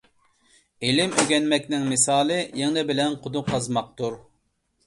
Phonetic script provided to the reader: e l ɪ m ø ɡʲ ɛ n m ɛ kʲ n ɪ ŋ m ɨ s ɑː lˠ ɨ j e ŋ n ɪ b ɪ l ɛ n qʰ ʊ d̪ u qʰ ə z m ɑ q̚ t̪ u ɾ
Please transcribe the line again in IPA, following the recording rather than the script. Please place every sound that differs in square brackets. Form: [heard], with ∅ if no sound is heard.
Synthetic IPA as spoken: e l ɪ m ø ɡʲ ɛ n m ɛ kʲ n ɪ ŋ m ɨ s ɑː lˠ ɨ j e ŋ n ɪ b ɪ l ɛ n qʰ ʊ d̪ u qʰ [ɑ] z m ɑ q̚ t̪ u ɾ